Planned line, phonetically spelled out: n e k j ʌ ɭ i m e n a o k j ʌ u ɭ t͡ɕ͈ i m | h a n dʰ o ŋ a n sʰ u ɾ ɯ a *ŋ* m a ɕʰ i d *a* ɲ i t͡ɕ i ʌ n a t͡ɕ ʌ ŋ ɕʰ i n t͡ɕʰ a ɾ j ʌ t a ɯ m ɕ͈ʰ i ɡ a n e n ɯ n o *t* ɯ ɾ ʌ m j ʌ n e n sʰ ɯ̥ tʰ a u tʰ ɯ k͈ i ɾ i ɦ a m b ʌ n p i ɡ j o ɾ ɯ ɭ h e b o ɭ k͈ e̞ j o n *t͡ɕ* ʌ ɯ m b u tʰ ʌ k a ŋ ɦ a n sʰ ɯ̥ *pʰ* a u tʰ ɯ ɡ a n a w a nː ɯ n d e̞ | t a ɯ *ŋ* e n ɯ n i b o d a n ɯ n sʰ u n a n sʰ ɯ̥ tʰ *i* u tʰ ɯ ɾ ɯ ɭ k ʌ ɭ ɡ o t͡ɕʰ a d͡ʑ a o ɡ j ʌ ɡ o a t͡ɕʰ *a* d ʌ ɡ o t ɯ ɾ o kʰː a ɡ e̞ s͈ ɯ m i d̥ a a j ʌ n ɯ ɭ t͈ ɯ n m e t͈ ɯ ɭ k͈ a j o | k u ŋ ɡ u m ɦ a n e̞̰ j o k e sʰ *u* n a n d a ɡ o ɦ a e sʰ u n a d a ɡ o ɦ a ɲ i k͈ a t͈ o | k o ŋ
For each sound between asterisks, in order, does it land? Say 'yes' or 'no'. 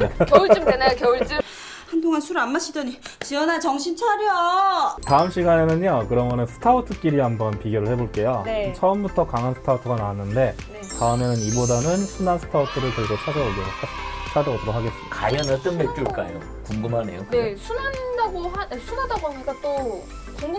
no, no, no, no, no, no, no, yes, yes

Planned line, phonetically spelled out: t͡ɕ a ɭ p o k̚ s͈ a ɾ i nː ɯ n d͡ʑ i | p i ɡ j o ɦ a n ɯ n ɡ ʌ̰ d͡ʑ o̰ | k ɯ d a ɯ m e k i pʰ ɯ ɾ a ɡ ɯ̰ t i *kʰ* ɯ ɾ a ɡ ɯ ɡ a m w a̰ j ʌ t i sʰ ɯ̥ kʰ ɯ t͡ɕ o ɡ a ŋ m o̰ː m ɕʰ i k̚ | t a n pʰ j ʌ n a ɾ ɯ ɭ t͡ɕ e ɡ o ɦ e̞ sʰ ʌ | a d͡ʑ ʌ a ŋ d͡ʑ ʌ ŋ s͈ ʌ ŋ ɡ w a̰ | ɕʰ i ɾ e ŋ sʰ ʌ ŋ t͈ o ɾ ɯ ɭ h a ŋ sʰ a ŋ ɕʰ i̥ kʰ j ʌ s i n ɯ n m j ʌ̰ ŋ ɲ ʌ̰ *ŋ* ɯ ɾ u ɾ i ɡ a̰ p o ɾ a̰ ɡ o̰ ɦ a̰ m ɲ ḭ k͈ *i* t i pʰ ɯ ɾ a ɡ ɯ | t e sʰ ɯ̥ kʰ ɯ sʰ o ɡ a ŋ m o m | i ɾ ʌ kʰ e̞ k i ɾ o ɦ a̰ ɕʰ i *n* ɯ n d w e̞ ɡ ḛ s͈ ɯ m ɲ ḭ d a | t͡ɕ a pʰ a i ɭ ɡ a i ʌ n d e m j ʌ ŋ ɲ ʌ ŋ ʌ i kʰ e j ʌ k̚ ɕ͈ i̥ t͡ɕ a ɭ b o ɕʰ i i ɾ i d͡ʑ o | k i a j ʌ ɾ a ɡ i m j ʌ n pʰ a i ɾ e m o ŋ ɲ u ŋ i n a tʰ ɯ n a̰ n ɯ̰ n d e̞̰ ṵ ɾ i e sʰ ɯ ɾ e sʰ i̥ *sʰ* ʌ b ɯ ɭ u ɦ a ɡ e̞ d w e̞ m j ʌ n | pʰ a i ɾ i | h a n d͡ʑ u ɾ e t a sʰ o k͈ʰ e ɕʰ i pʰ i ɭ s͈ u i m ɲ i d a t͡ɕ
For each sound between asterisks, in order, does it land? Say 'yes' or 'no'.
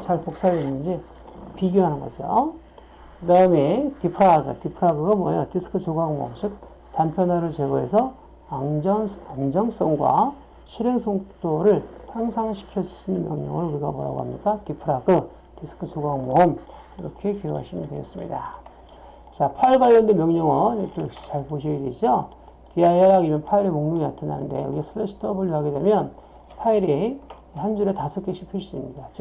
no, yes, no, no, no

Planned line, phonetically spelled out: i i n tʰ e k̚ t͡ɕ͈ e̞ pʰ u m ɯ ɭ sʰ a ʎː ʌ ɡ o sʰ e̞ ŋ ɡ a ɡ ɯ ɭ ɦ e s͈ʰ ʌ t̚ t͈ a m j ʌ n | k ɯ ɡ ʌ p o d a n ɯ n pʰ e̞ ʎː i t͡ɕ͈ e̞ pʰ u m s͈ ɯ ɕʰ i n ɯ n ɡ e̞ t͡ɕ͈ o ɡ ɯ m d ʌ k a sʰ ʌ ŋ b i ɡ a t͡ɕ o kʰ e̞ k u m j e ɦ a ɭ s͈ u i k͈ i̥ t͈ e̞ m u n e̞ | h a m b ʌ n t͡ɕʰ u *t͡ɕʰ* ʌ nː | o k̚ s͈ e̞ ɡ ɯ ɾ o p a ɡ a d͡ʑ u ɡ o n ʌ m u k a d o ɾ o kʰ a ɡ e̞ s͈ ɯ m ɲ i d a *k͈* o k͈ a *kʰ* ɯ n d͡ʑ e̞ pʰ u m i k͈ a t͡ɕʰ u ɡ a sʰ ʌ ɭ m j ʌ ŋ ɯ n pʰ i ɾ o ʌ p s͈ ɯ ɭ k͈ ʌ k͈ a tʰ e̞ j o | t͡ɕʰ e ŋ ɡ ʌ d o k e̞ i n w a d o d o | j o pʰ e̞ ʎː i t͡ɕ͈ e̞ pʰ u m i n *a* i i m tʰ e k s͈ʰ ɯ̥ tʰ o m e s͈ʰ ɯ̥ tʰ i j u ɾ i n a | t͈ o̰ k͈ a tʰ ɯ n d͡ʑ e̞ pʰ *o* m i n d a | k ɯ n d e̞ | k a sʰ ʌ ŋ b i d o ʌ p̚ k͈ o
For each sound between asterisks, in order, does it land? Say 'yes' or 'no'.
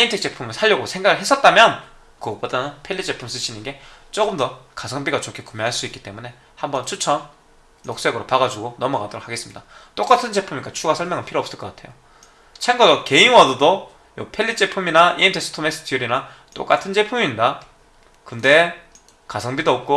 yes, no, no, yes, no

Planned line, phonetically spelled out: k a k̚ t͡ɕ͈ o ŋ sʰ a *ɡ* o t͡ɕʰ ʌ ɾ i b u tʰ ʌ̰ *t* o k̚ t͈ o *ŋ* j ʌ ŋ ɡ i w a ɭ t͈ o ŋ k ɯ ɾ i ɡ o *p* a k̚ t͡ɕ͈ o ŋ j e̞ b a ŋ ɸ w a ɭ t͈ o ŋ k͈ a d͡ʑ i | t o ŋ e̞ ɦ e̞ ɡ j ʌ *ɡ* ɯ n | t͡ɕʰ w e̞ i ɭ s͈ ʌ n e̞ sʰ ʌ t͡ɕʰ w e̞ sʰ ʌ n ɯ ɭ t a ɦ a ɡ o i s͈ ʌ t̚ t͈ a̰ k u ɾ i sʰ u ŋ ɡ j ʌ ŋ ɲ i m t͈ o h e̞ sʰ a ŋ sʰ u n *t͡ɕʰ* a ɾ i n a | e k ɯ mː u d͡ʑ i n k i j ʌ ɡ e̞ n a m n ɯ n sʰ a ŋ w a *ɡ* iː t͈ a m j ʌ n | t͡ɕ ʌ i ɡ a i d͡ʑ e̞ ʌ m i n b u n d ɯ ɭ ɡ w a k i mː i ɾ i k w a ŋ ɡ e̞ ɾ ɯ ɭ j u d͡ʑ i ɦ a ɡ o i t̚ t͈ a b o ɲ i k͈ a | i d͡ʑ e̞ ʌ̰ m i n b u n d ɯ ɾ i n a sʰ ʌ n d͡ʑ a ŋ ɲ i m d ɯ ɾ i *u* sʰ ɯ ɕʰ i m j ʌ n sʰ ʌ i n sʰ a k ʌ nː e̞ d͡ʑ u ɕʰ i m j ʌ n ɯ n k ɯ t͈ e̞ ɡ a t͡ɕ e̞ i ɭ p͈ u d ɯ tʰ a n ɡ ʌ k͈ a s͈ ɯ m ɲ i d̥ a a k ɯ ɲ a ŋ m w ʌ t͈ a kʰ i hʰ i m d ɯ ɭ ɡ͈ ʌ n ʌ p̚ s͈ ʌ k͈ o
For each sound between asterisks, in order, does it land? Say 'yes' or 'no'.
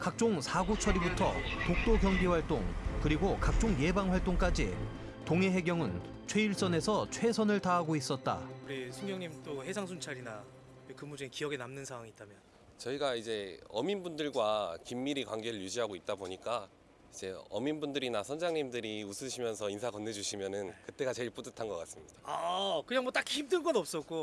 yes, yes, no, no, no, yes, no, yes

